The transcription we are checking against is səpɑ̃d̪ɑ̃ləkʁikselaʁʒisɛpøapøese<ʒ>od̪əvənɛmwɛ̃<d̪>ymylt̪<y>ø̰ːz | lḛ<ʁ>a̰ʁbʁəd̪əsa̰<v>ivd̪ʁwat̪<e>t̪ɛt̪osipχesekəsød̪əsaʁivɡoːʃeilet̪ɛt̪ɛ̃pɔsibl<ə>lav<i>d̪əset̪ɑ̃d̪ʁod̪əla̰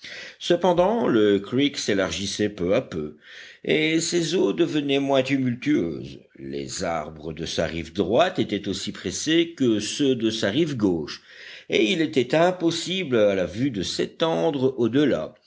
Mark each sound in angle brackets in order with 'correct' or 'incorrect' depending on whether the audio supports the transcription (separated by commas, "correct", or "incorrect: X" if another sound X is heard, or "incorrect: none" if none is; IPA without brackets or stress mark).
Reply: incorrect: z, incorrect: t̪, correct, incorrect: z, incorrect: ʁ, correct, incorrect: a, incorrect: y